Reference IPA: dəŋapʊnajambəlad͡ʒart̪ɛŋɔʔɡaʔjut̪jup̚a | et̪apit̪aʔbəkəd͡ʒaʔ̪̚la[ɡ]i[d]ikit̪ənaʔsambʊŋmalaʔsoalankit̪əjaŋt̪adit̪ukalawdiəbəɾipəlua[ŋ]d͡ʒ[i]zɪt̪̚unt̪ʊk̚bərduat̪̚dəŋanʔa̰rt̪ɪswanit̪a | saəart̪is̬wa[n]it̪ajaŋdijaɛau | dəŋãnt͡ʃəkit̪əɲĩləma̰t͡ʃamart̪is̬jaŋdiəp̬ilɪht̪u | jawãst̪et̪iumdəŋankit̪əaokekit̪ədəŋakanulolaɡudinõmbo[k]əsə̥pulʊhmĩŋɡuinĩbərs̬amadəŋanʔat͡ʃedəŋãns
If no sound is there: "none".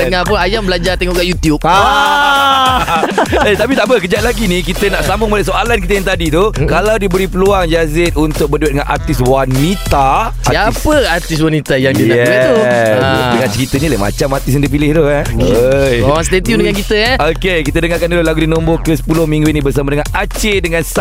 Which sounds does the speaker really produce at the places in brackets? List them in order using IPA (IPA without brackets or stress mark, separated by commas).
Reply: ɡ, n, ŋ, a, n, k